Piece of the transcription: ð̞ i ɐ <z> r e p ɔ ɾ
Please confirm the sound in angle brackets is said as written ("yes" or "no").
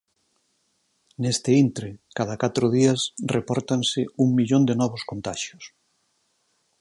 no